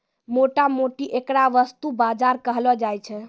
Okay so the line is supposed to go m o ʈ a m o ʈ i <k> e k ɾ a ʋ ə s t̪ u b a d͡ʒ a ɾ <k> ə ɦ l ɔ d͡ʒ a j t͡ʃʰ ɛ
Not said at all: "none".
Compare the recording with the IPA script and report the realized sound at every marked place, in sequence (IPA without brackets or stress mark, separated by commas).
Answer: ʔ, k